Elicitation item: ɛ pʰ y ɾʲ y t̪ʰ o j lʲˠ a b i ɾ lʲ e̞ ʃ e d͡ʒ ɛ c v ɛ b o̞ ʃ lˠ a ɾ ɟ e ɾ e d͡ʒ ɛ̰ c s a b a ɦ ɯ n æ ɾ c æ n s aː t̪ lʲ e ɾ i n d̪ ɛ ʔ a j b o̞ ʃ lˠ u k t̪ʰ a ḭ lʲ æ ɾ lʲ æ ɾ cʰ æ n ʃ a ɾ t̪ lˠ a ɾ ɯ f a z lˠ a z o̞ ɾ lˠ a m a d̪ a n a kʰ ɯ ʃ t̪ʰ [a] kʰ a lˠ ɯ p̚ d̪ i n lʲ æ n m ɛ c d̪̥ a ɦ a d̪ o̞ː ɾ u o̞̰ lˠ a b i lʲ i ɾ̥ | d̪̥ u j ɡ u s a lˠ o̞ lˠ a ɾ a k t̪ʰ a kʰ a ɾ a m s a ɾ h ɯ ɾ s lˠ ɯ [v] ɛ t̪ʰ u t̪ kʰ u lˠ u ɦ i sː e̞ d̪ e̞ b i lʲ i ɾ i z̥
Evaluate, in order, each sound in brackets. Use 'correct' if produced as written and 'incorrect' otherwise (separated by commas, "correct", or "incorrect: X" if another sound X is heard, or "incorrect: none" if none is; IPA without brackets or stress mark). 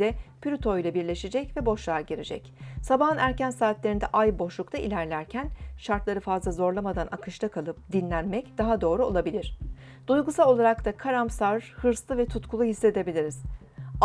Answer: correct, correct